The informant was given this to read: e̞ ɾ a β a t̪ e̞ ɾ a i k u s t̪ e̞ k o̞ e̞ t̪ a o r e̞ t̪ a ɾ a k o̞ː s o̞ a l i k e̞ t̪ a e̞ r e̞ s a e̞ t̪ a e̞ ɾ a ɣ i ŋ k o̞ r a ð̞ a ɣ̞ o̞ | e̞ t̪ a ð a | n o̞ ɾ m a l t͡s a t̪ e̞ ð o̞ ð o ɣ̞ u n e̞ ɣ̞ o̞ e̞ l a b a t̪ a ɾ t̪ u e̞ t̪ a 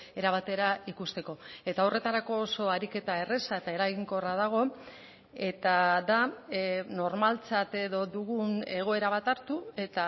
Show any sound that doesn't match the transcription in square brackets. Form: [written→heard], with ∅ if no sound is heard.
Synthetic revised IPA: e̞ ɾ a β a t̪ e̞ ɾ a i k u s t̪ e̞ k o̞ e̞ t̪ a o r e̞ t̪ a ɾ a k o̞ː s o̞ a [l→ɾ] i k e̞ t̪ a e̞ r e̞ s a e̞ t̪ a e̞ ɾ a ɣ i ŋ k o̞ r a ð̞ a ɣ̞ o̞ | e̞ t̪ a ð a | n o̞ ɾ m a l t͡s a t̪ e̞ ð o̞ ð [o→u] ɣ̞ u n e̞ ɣ̞ o̞ e̞ [l→ɾ] a [b→β] a t̪ a ɾ t̪ u e̞ t̪ a